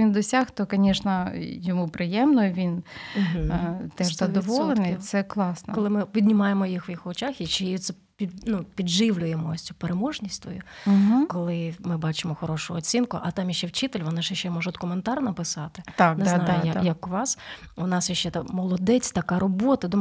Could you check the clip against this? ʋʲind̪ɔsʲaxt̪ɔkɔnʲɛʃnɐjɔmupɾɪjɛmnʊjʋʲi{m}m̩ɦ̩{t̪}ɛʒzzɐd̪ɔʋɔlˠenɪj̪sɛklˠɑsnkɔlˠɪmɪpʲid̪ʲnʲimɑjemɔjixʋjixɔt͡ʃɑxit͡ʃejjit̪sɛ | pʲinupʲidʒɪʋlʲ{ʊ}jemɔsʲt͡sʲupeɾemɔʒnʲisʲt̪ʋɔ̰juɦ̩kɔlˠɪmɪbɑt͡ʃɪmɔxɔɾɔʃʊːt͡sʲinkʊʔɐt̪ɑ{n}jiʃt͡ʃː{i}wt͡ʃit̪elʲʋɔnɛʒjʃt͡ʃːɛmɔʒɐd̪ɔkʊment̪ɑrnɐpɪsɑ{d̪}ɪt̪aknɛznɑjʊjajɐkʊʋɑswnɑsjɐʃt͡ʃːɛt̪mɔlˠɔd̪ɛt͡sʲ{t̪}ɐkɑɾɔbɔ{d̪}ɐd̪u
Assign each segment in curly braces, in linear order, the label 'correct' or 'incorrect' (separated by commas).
incorrect, correct, correct, incorrect, incorrect, incorrect, correct, incorrect